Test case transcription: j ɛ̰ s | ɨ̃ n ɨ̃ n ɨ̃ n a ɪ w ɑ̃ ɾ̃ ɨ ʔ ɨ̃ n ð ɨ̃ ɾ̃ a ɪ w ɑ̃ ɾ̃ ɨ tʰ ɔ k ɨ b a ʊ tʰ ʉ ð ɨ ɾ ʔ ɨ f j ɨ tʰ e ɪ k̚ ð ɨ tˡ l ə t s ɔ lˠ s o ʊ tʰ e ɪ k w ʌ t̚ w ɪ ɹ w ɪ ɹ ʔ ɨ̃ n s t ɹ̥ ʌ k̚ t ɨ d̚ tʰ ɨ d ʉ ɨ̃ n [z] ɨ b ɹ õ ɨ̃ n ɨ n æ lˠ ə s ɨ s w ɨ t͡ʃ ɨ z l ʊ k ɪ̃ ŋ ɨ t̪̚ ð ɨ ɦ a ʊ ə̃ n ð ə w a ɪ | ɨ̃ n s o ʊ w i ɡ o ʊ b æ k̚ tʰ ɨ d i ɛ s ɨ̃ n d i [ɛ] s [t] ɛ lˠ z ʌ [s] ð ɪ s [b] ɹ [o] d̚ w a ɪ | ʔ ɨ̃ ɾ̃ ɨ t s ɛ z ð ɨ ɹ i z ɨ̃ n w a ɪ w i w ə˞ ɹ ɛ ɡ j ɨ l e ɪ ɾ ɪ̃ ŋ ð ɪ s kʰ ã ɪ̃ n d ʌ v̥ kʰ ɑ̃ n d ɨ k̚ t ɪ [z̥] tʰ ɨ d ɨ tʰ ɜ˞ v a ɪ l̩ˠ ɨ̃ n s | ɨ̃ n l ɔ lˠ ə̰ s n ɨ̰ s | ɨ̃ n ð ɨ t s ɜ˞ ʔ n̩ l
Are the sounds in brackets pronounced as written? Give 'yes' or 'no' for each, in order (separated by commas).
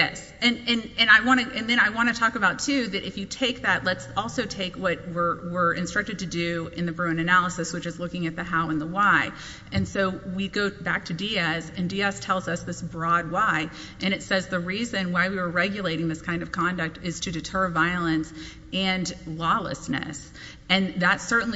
no, yes, no, yes, yes, no, yes